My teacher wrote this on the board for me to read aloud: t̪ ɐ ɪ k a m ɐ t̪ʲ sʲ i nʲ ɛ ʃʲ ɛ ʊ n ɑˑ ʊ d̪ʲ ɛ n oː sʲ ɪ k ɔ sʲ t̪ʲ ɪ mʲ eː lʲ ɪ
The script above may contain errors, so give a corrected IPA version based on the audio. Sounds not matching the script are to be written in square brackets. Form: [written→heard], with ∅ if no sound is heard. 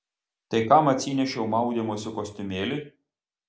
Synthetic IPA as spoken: t̪ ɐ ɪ k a m ɐ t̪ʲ sʲ i nʲ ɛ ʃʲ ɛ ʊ [n→m] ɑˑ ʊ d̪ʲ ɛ [n→m] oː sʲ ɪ k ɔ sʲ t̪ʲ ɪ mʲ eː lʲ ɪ